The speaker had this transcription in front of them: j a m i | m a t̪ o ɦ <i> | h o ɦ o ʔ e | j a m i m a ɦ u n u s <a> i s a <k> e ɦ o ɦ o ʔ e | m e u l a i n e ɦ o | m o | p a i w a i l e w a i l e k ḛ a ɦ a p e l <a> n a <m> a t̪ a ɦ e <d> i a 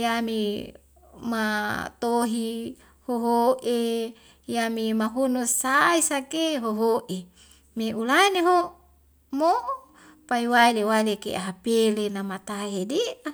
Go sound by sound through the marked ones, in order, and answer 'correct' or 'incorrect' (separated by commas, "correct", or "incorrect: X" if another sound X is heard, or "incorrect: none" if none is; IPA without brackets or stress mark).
correct, correct, correct, incorrect: e, correct, correct